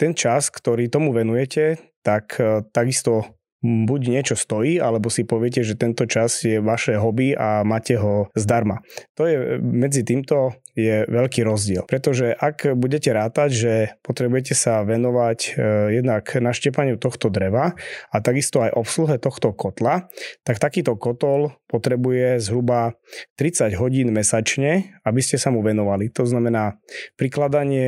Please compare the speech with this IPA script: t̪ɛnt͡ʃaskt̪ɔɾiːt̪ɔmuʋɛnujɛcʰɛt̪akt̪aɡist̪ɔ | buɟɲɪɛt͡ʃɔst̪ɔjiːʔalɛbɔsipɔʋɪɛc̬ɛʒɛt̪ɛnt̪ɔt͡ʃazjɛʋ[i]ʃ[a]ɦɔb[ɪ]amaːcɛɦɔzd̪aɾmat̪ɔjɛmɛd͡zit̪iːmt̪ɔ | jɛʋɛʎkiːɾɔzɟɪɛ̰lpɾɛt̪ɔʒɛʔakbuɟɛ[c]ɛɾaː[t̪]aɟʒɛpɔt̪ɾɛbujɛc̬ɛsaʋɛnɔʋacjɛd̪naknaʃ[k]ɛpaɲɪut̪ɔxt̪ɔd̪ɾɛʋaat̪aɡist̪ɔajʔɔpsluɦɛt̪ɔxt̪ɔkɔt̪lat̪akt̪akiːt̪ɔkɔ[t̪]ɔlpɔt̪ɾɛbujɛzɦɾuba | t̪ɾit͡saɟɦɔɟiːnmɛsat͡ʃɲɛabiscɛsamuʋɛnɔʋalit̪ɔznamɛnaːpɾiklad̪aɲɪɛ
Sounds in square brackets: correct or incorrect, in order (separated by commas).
incorrect, incorrect, incorrect, correct, correct, incorrect, correct